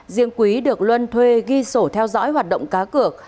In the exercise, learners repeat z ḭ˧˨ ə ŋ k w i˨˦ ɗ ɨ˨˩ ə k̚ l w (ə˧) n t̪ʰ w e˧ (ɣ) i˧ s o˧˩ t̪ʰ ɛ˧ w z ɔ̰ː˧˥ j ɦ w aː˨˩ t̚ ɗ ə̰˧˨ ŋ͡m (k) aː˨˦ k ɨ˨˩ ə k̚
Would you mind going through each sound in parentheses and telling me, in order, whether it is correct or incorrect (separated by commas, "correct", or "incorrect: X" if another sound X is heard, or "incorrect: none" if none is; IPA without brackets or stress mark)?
correct, correct, correct